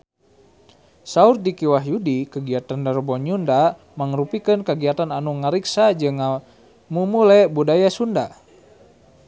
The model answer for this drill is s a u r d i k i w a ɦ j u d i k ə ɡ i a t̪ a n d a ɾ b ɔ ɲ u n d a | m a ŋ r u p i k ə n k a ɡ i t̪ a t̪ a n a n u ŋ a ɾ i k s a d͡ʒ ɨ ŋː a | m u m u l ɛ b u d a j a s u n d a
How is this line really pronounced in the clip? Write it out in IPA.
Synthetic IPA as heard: s a u r d i k i w a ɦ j u d i k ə ɡ i a t̪ a n d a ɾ b ɔ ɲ u n d a | m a ŋ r u p i k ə n k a ɡ i a t̪ a n a n u ŋ a ɾ i k s a d͡ʒ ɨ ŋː a | m u m u l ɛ b u d a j a s u n d a

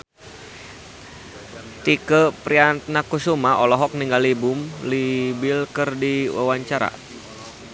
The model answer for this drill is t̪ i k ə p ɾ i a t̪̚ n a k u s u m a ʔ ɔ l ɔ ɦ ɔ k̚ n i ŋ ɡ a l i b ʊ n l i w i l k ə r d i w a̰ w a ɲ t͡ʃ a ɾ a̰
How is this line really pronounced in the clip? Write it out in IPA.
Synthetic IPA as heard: t̪ i k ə p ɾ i a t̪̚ n a k u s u m a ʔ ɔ l ɔ ɦ ɔ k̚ n i ŋ ɡ a l i b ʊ m l i b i l k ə r d i w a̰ w a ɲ t͡ʃ a ɾ a̰

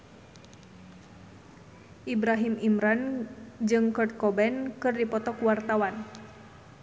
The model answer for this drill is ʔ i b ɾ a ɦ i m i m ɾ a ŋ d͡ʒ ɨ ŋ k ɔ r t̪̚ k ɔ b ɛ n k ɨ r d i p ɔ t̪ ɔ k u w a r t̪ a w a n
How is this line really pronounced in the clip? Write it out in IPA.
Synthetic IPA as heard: ʔ i b ɾ a ɦ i m i m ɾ a n d͡ʒ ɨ ŋ k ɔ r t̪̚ k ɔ b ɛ n k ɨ r d i p ɔ t̪ ɔ k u w a r t̪ a w a n

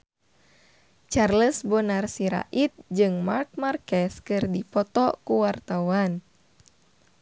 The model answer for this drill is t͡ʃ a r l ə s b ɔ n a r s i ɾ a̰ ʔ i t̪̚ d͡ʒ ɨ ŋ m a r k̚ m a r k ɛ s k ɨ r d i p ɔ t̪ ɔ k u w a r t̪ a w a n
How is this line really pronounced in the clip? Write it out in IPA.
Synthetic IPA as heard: t͡ʃ a r l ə s b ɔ n a r s i ɾ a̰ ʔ i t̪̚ d͡ʒ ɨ ŋ m a r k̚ m a r k ɛ s k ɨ r d i p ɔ t̪ ɔ k u w a r t̪ a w a n

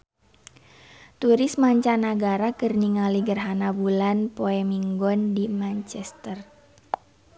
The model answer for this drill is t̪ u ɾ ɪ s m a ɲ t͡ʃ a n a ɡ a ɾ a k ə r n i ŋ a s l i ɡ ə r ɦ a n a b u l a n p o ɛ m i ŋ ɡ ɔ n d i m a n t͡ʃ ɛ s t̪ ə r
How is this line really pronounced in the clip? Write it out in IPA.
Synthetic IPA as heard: t̪ u ɾ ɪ s m a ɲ t͡ʃ a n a ɡ a ɾ a k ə r n i ŋ a l i ɡ ə r ɦ a n a b u l a n p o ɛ m i ŋ ɡ ɔ n d i m a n t͡ʃ ɛ s t̪ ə r

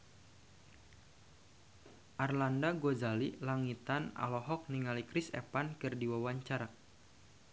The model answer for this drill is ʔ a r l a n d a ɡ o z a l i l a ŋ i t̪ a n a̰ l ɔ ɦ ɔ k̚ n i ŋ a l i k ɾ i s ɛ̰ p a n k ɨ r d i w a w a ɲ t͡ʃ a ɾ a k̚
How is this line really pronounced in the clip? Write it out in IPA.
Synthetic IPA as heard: ʔ a r l a n d a ɡ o z a l i l a ŋ i t̪ a n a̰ l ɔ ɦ ɔ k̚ n i ŋ a l i k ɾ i s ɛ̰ p a n k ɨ r d i w a w a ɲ t͡ʃ a ɾ a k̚

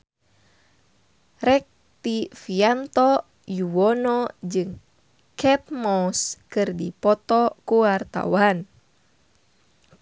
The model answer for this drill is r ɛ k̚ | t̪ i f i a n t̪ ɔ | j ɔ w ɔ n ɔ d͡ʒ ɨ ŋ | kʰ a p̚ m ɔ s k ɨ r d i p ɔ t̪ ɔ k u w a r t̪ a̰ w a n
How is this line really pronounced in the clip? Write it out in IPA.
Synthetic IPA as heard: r ɛ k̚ | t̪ i f i a n t̪ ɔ | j u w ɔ n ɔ d͡ʒ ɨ ŋ | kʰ ɛ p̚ m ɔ s k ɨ r d i p ɔ t̪ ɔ k u w a r t̪ a̰ w a n

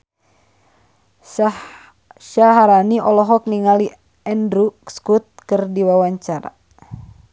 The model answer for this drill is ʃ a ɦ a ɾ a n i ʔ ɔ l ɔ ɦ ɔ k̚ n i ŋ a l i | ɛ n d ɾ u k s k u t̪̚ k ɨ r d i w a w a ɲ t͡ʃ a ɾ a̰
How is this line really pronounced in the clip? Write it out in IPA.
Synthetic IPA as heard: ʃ a ɦ a ɾ a n i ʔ ɔ l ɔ ɦ ɔ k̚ n i ŋ a l i | ɛ n d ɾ u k s k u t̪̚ k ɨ r d i w a w a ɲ t͡ʃ a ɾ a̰

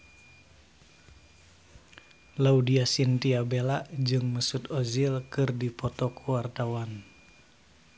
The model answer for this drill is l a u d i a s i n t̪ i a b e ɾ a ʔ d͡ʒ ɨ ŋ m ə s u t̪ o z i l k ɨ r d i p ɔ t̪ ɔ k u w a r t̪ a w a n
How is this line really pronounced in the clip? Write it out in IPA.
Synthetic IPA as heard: l a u d i a s i n t̪ i a b e l a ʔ d͡ʒ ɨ ŋ m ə s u t̪ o z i l k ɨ r d i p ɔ t̪ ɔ k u w a r t̪ a w a n

